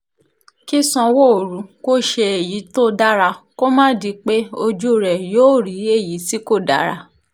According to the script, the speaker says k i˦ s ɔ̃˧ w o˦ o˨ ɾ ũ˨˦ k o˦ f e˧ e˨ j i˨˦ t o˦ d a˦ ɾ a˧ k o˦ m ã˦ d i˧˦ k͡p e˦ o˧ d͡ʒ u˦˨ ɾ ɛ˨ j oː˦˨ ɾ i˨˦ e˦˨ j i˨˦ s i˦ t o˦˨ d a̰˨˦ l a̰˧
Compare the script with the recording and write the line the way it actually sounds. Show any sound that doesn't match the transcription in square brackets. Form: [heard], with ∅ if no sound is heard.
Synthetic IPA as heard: k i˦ s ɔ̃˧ w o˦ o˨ ɾ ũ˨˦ k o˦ [ʃ] e˧ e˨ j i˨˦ t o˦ d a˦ ɾ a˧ k o˦ m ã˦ d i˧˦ k͡p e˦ o˧ d͡ʒ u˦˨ ɾ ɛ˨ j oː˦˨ ɾ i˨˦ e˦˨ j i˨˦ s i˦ [k] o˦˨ d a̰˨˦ [ɾ] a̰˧